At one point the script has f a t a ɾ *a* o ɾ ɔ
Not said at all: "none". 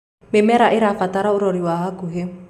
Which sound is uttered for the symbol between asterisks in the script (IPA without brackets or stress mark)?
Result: a